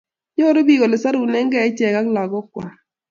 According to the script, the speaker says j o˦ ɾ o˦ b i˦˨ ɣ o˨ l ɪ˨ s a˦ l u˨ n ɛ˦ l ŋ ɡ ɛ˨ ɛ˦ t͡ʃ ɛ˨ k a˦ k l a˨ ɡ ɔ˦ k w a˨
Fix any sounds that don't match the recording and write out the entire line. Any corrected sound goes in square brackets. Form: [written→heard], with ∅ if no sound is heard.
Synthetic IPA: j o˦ ɾ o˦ b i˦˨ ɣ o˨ l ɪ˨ s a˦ [l→ɾ] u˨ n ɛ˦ [l→∅] ŋ ɡ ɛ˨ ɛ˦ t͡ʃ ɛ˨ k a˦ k l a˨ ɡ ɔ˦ k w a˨